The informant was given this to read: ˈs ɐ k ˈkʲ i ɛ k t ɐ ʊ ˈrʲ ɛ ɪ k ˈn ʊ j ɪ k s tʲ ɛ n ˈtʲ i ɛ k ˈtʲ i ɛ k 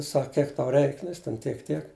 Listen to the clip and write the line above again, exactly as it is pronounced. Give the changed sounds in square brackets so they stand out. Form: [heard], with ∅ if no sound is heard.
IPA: ˈs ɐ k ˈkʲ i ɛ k t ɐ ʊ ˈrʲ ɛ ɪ k ˈn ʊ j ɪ [∅] s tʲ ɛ n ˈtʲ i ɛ k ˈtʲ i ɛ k